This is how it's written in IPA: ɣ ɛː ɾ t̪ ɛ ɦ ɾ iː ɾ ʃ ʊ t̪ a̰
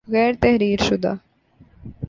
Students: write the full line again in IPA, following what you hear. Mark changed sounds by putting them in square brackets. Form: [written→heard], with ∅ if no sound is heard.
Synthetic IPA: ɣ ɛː ɾ t̪ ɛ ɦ ɾ iː ɾ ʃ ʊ [t̪→d̪] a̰